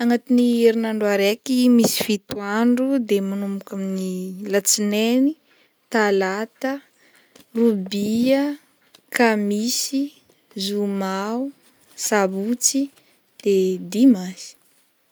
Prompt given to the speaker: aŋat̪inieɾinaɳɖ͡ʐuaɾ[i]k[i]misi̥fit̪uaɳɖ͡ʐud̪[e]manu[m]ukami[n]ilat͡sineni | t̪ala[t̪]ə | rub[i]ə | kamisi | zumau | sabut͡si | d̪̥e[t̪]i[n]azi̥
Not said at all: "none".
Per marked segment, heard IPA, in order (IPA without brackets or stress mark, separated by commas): e, i, e, m, n, t̪, i, d̪, m